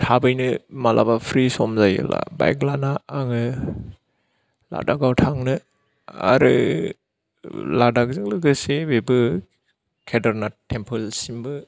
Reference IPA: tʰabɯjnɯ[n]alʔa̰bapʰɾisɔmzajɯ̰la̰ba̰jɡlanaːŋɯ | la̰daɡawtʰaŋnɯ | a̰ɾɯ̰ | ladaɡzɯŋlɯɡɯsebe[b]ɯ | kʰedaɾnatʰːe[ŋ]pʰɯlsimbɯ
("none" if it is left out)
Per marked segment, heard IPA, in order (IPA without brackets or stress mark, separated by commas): m, b, m